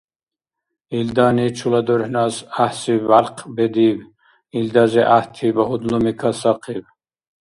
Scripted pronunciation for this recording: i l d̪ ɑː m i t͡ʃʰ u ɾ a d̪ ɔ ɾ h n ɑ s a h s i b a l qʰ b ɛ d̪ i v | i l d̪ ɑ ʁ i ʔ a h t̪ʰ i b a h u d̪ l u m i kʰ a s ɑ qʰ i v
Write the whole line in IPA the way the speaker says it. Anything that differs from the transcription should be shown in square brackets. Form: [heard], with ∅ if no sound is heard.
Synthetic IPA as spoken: i l d̪ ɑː [n] i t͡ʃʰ u [l] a d̪ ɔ ɾ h n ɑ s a h s i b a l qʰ b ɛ d̪ i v | i l d̪ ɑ [z] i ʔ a h t̪ʰ i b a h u d̪ l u m i kʰ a s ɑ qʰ i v